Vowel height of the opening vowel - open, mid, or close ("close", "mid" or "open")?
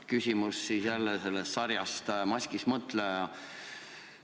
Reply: close